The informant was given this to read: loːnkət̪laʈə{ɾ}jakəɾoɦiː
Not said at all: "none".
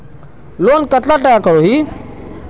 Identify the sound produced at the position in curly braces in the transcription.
none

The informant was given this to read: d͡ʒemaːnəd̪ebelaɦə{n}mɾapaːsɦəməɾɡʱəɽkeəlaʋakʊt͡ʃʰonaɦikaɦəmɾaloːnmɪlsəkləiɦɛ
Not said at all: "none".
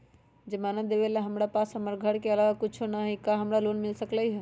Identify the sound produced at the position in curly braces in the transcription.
none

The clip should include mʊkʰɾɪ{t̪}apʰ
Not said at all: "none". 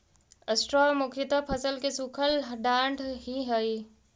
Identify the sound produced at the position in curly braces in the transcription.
t̪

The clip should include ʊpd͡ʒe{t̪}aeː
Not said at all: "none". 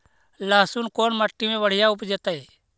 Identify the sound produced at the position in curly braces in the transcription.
t̪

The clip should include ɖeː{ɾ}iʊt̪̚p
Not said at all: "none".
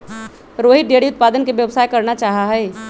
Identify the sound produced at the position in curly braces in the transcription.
ɽ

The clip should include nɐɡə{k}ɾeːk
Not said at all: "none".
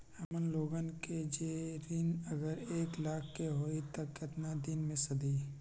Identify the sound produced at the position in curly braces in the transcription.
none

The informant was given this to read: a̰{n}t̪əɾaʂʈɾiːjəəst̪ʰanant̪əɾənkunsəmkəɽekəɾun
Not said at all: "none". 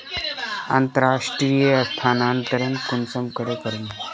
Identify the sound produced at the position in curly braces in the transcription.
n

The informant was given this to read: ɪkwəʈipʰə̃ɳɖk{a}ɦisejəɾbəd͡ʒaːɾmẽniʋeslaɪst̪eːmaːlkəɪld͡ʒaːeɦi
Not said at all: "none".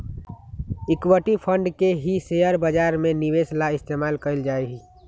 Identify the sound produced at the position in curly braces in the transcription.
e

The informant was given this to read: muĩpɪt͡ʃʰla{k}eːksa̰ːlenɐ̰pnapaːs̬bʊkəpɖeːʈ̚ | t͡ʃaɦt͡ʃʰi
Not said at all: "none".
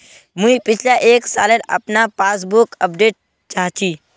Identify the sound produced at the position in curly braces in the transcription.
ʔ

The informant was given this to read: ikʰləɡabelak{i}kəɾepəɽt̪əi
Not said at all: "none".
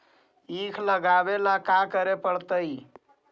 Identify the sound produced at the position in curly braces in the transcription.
a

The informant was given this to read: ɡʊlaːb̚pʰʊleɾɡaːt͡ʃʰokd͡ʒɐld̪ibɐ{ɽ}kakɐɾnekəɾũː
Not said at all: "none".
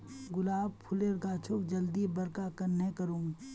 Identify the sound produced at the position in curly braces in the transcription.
ɾ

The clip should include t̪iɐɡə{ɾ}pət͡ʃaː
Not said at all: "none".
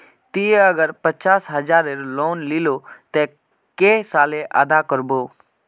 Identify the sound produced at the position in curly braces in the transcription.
ɾ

